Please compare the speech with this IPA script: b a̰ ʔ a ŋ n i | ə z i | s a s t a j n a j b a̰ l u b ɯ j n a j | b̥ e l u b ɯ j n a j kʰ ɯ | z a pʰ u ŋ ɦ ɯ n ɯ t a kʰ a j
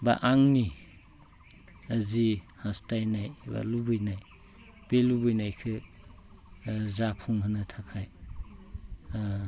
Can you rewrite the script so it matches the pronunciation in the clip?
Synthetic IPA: b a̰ ʔ a ŋ n i | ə z i | h a s t a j n a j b a̰ l u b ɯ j n a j | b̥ e l u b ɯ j n a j kʰ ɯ | z a pʰ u ŋ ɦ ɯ n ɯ tʰ a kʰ a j